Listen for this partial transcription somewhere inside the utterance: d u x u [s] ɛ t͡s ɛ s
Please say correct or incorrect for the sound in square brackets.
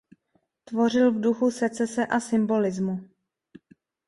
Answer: correct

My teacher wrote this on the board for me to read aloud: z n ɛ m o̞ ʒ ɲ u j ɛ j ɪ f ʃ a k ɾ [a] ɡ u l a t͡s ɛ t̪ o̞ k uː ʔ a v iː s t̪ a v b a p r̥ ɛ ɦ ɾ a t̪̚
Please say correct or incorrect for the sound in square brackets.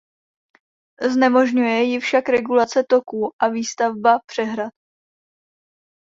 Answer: incorrect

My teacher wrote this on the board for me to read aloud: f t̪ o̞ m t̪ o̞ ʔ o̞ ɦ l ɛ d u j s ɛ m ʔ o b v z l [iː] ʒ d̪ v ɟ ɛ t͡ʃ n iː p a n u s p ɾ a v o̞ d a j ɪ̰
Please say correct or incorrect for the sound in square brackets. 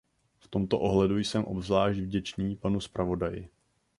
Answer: incorrect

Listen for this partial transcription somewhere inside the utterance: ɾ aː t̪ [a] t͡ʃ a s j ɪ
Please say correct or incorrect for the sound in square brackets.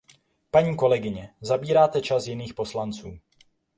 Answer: incorrect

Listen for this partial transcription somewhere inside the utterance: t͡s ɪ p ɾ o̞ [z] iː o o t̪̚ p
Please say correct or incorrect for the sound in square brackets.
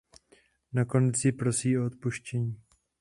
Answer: incorrect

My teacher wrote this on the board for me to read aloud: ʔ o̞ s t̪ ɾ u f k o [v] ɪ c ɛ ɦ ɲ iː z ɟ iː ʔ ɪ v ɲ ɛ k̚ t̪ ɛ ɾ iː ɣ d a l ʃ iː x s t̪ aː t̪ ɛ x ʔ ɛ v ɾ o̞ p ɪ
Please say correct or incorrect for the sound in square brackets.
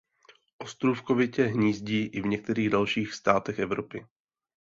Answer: correct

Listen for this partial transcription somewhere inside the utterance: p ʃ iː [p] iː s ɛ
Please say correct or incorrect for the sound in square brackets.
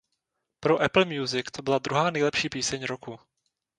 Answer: correct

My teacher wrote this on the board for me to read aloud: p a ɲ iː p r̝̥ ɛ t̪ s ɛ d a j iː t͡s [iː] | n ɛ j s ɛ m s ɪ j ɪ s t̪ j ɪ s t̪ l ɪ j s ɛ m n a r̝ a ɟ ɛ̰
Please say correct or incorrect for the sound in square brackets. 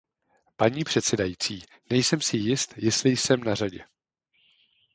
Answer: correct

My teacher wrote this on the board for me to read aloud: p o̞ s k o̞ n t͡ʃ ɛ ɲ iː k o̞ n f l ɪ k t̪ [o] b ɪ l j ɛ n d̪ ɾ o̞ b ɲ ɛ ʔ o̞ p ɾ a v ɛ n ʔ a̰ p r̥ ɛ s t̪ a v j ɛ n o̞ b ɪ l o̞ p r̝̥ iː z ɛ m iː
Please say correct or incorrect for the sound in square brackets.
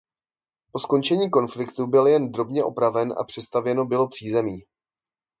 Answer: incorrect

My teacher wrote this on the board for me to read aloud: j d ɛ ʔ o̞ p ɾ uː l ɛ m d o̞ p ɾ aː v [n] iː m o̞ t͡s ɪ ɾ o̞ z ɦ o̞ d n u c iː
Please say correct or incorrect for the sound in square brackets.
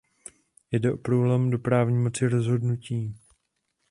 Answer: incorrect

